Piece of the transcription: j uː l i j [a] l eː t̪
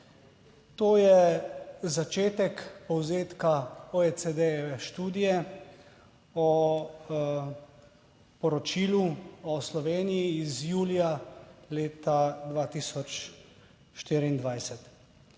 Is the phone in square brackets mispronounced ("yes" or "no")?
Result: no